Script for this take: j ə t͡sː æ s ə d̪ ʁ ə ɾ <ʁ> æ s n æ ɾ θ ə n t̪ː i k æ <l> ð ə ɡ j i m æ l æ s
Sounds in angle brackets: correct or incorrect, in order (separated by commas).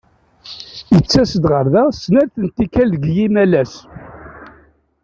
incorrect, correct